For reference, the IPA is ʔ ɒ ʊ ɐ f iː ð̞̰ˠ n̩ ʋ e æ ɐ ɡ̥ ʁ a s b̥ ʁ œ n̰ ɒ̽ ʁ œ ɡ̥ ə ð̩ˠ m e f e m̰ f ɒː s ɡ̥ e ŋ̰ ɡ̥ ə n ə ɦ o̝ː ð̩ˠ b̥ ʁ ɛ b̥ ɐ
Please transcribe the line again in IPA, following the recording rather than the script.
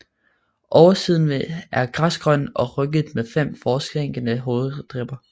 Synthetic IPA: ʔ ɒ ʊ ɐ s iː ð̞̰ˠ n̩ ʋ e æ ɐ ɡ̥ ʁ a s ɡ̥ ʁ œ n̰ ɒ̽ ʁ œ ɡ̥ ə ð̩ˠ m e f e m̰ f ɒː s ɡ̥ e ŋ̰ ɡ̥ ə n ə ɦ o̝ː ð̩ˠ d̥ ʁ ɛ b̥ ɐ